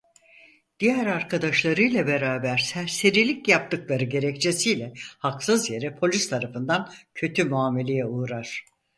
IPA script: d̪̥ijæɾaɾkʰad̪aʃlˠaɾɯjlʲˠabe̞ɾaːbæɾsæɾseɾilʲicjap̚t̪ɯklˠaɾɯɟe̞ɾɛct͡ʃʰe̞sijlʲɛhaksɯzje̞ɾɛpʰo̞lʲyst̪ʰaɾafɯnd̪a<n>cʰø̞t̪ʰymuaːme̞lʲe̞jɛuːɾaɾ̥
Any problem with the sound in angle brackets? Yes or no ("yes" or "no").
no